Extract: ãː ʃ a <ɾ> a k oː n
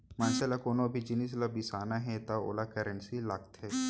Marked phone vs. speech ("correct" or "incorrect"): incorrect